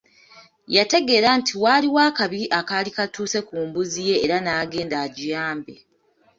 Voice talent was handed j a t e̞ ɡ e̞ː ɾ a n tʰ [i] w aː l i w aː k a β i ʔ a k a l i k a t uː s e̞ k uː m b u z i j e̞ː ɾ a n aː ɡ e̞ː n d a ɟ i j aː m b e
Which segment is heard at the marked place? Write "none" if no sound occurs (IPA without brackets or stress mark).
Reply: i